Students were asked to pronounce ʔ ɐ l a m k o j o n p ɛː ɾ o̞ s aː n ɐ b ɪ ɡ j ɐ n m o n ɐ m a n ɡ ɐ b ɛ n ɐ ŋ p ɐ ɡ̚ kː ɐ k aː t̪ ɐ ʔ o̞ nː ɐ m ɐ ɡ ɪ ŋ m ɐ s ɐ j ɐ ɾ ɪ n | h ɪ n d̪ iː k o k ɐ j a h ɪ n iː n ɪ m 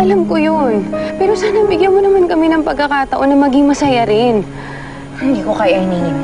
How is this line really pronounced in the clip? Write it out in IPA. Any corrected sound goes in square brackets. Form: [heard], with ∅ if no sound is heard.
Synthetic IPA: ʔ ɐ l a m k o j o n p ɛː ɾ o̞ s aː n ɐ b ɪ ɡ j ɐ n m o n ɐ m a n [k] ɐ [m] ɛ n ɐ ŋ p ɐ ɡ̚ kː ɐ k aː t̪ ɐ ʔ o̞ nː ɐ m ɐ ɡ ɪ ŋ m ɐ s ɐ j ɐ ɾ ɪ n | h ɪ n d̪ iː k o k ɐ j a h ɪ n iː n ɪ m